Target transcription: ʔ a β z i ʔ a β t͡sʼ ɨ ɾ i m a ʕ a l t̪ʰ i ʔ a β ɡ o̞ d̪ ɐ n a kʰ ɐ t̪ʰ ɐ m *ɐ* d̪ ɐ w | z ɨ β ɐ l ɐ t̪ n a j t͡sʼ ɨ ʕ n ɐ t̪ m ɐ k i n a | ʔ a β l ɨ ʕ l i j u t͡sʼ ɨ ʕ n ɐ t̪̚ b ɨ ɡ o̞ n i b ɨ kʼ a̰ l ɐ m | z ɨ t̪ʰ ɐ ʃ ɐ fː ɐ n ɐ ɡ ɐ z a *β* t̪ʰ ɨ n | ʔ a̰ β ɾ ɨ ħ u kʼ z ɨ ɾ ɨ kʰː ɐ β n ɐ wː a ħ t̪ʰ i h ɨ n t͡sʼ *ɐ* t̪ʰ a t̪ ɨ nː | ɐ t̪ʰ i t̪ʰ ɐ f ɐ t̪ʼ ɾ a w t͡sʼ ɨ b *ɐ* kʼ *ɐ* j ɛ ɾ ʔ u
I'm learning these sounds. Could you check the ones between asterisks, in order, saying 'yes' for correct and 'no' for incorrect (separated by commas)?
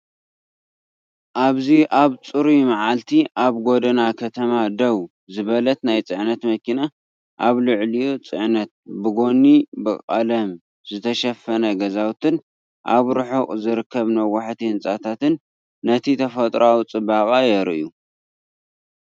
no, no, no, no, no